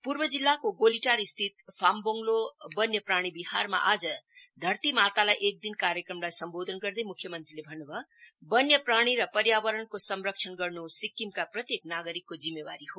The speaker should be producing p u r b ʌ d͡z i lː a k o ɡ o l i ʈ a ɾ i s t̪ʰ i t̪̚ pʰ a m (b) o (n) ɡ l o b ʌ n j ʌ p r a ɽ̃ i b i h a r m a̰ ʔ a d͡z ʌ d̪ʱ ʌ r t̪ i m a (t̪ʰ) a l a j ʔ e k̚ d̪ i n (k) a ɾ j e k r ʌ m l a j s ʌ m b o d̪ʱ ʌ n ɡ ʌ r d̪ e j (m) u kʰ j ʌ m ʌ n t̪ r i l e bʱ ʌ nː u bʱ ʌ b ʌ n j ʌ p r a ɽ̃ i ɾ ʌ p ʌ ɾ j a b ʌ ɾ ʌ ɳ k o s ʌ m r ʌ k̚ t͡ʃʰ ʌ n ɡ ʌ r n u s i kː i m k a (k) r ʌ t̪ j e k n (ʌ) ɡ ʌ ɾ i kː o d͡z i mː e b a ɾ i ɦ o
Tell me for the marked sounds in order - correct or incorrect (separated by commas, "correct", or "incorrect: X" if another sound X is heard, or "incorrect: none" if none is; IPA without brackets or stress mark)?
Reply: correct, incorrect: ŋ, incorrect: t̪, correct, correct, incorrect: p, incorrect: a